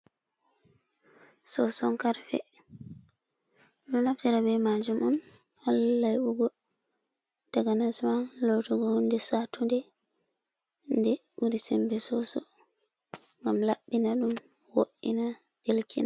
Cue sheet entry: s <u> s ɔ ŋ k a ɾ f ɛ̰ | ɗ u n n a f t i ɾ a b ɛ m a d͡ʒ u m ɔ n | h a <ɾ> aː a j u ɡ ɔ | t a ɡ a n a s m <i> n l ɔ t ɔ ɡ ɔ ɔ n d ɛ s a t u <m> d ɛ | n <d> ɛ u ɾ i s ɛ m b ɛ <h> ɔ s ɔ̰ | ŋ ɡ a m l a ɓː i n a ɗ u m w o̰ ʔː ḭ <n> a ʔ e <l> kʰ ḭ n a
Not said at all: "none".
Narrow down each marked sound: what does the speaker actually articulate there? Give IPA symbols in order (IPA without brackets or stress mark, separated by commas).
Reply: ɔ, l, a, n, d, s, n, l